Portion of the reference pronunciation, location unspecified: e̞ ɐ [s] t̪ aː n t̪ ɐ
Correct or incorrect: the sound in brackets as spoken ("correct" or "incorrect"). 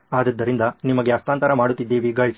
correct